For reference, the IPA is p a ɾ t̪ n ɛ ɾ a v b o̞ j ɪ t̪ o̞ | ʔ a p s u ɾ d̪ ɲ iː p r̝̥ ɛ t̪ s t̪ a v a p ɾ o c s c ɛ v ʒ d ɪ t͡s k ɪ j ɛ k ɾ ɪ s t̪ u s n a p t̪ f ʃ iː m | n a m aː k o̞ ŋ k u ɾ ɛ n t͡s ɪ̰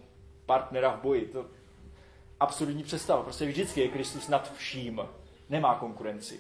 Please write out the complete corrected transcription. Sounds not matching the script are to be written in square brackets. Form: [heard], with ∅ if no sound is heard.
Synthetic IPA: p a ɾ t̪ n ɛ ɾ a v b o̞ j ɪ t̪ o̞ | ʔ a p s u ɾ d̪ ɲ iː p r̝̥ ɛ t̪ s t̪ a v a p ɾ o [∅] s c ɛ v ʒ d ɪ t͡s k ɪ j ɛ k ɾ ɪ s t̪ u s n a [∅] t̪ f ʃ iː m | n [ɛ] m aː k o̞ ŋ k u ɾ ɛ n t͡s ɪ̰